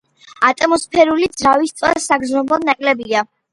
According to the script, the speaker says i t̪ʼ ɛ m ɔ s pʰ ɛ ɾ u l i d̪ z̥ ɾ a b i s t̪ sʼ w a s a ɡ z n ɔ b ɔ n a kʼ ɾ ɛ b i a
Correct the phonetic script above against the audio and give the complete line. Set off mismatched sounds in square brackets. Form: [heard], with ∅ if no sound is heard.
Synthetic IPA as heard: [a] t̪ʼ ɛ m ɔ s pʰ ɛ ɾ u l i d̪ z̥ ɾ a [v] i s t̪ sʼ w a s a ɡ z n ɔ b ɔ n a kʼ [l] ɛ b i a